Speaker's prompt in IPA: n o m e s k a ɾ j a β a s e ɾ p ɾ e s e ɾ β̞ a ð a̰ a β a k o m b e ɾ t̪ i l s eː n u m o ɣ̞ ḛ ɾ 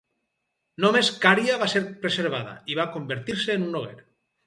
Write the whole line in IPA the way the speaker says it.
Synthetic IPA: n o m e s k a ɾ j a β a s e ɾ p ɾ e s e ɾ β̞ a ð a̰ i β a k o m b e ɾ t̪ i ɾ s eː n u n o ɣ̞ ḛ ɾ